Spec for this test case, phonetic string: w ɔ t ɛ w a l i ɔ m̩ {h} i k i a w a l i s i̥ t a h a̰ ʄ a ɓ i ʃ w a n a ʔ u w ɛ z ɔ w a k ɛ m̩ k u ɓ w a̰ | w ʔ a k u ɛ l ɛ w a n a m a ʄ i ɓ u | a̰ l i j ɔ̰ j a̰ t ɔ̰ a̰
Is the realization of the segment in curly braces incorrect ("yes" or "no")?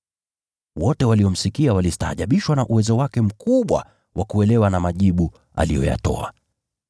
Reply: yes